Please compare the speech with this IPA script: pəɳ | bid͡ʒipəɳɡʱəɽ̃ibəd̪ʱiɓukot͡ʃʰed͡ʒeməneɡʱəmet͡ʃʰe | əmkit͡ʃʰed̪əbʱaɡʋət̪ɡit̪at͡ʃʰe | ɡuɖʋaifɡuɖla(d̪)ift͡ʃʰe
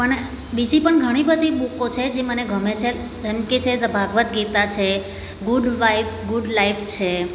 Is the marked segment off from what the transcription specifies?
yes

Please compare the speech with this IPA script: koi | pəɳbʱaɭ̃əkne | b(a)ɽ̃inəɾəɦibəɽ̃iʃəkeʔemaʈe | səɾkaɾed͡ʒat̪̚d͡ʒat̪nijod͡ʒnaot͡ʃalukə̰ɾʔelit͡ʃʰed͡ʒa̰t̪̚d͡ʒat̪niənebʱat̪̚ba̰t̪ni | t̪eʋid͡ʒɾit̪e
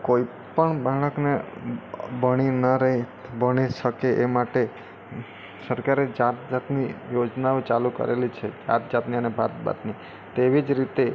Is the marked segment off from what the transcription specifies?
yes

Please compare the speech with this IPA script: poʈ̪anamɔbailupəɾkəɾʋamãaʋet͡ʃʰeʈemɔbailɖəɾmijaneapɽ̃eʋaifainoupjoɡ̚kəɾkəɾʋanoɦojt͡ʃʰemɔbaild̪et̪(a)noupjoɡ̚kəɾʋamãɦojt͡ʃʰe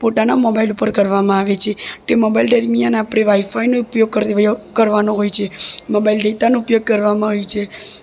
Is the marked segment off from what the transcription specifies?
no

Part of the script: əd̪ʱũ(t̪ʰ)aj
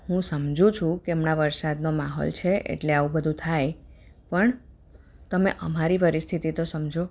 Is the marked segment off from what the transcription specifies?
no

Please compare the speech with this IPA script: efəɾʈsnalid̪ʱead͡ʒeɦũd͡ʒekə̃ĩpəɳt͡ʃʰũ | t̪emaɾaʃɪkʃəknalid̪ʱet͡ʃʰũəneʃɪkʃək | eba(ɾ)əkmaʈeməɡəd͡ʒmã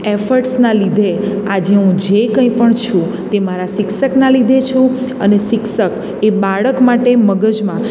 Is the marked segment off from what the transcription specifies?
yes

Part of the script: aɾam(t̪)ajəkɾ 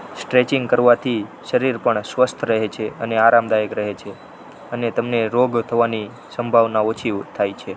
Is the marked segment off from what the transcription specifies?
yes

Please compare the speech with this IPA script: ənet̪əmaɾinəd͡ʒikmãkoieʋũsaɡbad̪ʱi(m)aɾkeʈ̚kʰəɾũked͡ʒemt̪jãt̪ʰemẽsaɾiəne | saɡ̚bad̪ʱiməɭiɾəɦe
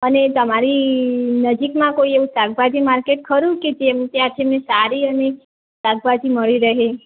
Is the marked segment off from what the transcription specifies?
no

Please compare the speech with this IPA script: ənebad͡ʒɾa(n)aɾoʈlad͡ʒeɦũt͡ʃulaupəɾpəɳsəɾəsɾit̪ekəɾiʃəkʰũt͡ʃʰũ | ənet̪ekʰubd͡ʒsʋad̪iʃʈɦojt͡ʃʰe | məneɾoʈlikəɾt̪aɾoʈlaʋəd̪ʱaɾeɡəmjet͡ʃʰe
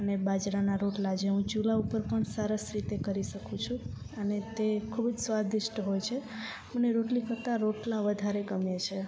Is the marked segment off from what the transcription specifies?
no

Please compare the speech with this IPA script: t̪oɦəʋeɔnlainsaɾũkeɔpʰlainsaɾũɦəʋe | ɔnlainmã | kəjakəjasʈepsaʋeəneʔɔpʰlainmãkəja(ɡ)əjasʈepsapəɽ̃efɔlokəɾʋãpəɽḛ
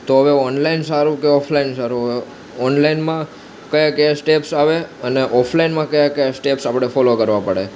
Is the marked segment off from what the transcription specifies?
yes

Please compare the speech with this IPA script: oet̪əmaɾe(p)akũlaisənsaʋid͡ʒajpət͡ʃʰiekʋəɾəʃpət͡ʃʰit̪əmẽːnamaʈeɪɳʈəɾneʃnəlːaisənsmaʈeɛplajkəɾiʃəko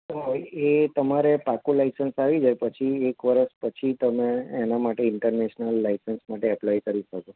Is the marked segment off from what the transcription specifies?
no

